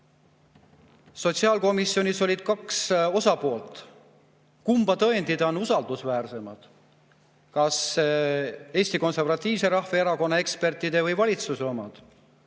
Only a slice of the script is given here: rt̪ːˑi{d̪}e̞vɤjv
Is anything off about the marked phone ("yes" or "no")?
no